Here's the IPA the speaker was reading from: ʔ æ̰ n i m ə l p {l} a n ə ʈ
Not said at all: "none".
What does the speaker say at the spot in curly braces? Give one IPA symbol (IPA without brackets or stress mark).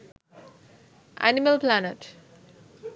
l